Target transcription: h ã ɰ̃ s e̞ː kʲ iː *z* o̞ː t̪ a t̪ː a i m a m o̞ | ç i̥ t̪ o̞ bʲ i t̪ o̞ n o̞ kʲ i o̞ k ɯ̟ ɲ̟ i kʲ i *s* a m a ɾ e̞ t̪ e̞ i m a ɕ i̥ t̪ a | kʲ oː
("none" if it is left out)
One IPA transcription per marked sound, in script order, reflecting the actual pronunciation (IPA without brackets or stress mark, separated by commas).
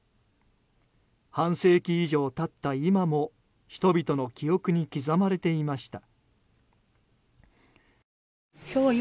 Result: ʑ, z